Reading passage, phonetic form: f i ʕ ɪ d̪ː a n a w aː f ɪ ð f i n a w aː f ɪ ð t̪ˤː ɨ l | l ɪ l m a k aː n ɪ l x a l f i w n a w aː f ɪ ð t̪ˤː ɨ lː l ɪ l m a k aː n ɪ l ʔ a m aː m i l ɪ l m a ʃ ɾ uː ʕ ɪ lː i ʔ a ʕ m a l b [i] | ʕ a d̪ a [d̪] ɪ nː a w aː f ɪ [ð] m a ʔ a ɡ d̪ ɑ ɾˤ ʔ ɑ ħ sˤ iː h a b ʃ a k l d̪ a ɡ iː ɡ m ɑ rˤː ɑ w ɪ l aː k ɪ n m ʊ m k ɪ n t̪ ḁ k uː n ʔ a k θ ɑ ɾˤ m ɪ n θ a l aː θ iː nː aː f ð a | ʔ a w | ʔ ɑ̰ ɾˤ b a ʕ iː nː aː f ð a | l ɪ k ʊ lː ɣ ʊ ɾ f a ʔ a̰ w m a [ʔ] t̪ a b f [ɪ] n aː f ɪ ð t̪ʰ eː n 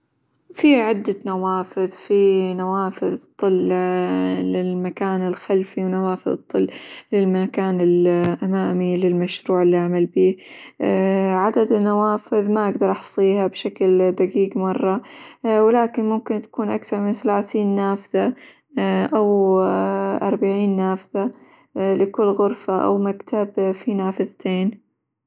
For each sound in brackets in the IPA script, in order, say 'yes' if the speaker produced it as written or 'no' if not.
no, yes, yes, no, no

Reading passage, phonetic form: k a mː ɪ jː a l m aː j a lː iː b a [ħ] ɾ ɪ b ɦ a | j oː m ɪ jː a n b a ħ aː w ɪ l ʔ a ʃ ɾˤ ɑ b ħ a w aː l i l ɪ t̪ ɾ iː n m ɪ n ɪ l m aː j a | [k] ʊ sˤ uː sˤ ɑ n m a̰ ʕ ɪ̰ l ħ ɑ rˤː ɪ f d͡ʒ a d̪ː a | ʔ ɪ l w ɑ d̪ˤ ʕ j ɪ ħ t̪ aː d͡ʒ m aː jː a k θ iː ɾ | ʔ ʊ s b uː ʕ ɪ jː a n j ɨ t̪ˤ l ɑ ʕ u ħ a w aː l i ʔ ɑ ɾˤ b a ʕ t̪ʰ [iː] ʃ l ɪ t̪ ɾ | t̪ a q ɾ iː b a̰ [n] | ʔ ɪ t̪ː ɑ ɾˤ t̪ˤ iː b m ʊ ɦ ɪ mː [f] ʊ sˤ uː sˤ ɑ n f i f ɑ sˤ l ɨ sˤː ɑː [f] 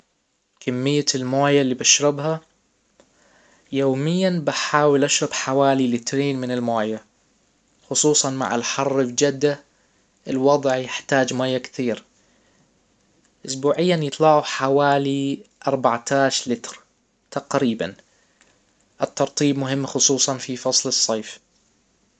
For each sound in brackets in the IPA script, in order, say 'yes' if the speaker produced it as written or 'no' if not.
no, no, no, yes, no, yes

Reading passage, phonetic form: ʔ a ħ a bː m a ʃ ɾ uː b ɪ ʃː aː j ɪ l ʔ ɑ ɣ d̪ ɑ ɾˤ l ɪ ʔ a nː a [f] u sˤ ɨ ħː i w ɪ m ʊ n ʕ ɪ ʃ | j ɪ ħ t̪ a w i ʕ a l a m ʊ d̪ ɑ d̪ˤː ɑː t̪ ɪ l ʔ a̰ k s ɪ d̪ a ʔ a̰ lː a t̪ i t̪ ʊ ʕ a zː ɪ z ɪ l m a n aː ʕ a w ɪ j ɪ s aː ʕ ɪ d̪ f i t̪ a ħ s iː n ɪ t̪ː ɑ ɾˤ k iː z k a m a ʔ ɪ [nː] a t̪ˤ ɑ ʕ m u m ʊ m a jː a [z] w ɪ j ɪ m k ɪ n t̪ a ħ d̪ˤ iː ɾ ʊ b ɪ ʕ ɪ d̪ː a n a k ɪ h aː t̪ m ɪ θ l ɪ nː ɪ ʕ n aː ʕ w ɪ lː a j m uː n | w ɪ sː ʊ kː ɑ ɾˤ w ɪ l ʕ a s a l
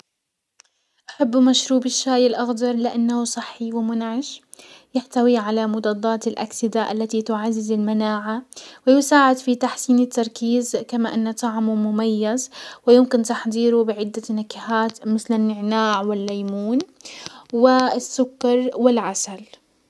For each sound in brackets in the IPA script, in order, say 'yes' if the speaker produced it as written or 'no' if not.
no, yes, yes

